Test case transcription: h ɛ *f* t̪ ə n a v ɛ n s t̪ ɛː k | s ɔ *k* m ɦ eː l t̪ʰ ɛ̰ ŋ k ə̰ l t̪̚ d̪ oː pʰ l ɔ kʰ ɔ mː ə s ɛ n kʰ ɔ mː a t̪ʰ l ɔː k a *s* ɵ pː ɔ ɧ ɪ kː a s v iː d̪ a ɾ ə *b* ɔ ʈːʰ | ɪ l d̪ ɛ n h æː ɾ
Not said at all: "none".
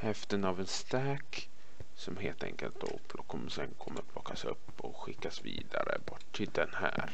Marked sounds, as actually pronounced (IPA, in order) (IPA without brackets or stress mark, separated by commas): f, none, s, b